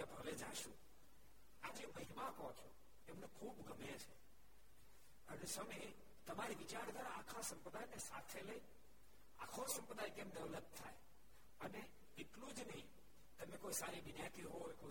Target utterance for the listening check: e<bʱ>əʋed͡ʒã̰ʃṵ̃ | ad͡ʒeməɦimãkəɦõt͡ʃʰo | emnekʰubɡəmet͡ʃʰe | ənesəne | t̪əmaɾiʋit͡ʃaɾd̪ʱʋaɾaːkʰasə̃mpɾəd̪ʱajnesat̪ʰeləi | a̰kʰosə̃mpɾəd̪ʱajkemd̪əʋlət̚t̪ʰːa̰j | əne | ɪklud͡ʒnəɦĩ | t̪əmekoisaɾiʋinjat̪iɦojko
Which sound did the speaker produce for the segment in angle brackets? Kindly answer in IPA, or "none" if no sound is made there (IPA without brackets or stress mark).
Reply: bʱ